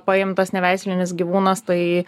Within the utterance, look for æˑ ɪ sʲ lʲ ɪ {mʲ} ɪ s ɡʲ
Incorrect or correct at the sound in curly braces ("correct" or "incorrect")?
incorrect